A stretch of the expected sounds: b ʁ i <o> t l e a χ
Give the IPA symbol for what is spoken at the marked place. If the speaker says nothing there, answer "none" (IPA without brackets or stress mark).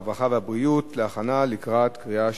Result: u